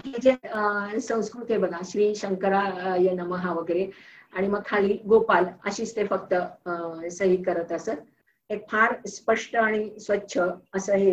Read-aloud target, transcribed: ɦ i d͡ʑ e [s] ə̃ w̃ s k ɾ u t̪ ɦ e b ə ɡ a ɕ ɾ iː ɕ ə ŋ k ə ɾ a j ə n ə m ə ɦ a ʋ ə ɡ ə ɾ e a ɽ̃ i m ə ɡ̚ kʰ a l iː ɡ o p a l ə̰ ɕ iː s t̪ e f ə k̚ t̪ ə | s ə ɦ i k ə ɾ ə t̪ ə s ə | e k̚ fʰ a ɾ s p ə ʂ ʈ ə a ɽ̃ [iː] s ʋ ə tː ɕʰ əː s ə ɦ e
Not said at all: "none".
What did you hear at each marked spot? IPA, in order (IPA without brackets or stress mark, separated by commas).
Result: s, i